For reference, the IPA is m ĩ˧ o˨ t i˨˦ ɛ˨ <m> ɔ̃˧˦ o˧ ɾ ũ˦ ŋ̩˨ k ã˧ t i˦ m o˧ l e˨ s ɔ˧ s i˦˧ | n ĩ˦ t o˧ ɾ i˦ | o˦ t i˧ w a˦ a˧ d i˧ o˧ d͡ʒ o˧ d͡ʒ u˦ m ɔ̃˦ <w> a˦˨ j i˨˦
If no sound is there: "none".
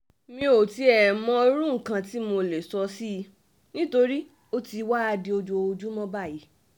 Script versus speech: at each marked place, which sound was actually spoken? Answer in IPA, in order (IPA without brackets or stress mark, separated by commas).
m, b